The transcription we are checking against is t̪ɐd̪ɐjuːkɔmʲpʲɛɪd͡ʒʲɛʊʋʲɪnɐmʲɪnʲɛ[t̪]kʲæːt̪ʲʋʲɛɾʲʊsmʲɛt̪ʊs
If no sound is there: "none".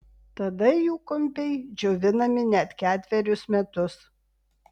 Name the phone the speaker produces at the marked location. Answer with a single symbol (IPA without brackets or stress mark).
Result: t̪